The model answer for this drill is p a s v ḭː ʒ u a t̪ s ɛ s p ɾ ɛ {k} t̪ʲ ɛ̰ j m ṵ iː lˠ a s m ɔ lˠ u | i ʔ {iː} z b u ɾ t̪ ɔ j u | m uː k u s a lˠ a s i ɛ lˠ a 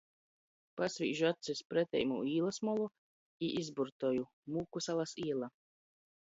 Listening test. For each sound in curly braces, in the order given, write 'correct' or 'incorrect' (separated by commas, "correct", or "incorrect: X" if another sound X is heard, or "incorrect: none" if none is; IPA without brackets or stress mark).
incorrect: none, incorrect: i